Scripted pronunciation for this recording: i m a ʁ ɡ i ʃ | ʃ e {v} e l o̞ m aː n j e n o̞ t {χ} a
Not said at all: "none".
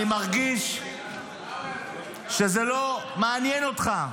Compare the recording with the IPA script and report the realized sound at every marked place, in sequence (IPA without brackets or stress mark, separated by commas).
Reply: z, χ